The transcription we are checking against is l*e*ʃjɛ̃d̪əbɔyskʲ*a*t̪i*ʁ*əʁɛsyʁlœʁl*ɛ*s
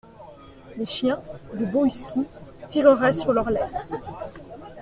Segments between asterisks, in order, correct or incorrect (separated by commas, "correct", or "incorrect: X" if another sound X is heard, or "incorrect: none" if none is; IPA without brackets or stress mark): correct, incorrect: i, correct, correct